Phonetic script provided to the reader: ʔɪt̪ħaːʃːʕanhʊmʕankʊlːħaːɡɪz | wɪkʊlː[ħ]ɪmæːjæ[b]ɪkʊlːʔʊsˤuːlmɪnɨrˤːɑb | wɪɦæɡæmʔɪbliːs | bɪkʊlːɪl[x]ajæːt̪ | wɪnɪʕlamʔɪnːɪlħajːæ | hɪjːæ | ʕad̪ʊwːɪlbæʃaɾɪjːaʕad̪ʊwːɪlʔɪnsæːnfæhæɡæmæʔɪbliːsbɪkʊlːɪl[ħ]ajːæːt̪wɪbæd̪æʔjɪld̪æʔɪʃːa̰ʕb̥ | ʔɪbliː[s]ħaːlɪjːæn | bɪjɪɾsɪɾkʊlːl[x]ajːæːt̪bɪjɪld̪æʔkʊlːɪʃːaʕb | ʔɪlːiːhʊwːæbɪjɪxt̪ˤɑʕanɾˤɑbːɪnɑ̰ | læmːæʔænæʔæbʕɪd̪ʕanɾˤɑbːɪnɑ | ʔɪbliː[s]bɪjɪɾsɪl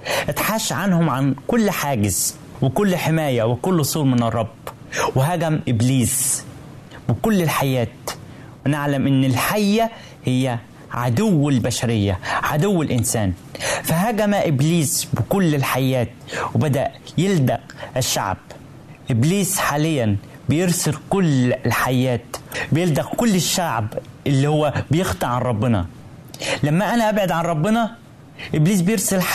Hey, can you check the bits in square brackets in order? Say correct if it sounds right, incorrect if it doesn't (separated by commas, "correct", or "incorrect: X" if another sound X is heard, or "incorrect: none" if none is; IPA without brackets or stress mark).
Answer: correct, incorrect: w, incorrect: ħ, correct, correct, incorrect: ħ, correct